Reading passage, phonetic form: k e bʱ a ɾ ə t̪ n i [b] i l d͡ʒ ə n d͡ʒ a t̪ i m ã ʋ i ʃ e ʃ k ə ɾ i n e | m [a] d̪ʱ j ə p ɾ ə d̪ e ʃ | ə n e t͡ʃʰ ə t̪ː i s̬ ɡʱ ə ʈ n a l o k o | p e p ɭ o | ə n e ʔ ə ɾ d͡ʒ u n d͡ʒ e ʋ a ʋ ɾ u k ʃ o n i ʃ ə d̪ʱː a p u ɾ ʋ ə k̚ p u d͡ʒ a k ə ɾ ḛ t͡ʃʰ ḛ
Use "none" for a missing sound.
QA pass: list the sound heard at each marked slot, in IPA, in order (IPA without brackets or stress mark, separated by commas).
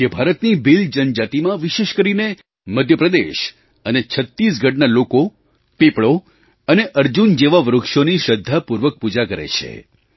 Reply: b, ə